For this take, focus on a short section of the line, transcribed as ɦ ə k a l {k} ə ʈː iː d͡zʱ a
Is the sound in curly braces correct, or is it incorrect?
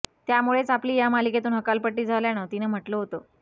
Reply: incorrect